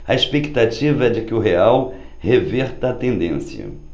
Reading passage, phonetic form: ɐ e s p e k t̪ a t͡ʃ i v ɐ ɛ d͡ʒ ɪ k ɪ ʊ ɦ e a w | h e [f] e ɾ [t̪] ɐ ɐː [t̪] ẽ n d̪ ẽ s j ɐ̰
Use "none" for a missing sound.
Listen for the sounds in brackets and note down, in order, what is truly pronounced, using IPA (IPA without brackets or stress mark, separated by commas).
v, t̪, t̪